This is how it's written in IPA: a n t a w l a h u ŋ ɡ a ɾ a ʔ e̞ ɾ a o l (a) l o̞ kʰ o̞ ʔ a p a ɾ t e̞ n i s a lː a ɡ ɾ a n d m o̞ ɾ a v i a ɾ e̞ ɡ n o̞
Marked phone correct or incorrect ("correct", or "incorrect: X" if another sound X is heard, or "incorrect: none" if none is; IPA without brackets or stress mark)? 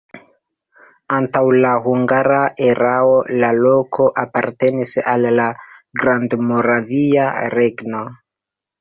correct